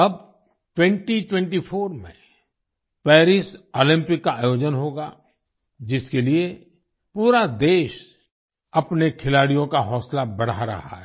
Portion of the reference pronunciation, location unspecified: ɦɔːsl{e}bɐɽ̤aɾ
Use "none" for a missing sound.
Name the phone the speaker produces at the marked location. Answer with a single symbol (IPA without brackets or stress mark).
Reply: a